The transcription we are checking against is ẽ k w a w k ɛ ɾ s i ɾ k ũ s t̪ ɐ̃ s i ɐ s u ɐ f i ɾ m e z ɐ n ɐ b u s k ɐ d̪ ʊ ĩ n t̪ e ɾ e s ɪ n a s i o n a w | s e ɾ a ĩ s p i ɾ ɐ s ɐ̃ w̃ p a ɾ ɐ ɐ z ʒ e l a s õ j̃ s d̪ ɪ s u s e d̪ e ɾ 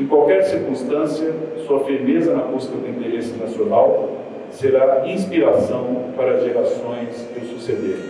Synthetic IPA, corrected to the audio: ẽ k w a w k ɛ ɾ s i ɾ k ũ s t̪ ɐ̃ s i ɐ s u ɐ f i ɾ m e z ɐ n ɐ b u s k ɐ d̪ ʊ ĩ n t̪ e ɾ e s ɪ n a s i o n a w | s e ɾ a ĩ s p i ɾ a s ɐ̃ w̃ p a ɾ ɐ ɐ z ʒ e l a s õ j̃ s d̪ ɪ s u s e d̪ e ɾ